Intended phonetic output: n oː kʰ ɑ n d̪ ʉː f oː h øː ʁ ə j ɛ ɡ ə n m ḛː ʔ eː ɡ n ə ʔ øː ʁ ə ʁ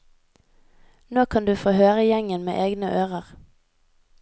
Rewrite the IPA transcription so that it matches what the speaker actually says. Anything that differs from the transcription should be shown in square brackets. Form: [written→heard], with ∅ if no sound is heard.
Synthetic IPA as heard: n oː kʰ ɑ n d̪ ʉː f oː h øː ʁ ə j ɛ [ɡ→ŋ] ə n m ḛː ʔ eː ɡ n ə ʔ øː ʁ ə ʁ